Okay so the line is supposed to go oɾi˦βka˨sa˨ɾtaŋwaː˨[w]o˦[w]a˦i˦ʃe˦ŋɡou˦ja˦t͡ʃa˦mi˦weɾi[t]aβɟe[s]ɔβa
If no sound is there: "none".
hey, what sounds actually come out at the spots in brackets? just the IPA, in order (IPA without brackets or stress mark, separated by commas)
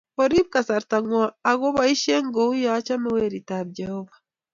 ɣ, β, t, h